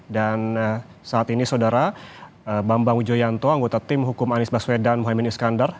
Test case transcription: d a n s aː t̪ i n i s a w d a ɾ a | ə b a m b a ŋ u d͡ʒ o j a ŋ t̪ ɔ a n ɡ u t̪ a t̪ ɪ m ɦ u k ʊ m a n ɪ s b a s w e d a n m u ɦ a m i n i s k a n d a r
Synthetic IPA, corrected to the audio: d a n s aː t̪ i n i s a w d a ɾ a | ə b a m b a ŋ u d͡ʒ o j a n t̪ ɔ a ŋ ɡ o t̪ a t̪ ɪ m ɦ u k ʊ m a n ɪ s b a s w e d a n m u ɦ a m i n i s k a n d a r